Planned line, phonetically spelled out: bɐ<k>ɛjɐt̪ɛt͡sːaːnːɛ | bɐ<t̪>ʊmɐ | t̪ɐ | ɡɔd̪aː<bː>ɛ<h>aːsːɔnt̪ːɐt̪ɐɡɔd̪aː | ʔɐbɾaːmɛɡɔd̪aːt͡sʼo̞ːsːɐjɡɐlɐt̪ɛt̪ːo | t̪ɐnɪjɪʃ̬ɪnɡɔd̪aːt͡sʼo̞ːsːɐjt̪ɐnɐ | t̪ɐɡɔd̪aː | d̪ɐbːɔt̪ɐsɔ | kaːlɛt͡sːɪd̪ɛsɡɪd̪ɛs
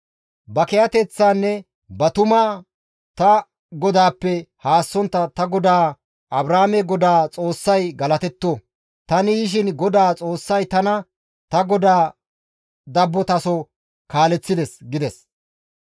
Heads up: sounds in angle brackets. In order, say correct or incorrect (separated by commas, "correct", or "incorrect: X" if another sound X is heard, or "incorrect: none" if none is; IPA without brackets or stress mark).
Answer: correct, correct, incorrect: pː, correct